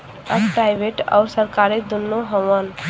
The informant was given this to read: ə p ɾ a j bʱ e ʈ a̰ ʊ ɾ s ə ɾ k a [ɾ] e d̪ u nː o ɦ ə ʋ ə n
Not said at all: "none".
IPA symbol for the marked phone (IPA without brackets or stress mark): ɾ